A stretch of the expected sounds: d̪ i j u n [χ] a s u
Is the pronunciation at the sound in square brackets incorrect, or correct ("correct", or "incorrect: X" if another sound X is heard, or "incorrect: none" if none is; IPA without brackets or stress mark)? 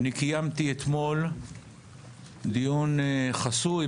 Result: correct